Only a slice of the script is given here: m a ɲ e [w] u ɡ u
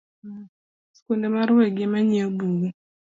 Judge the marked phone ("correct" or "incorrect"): incorrect